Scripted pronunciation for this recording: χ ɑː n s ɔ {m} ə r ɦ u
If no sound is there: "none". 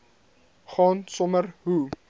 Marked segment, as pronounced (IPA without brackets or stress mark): m